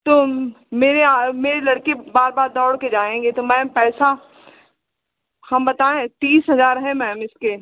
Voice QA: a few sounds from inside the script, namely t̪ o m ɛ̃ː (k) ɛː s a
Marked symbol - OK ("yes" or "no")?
no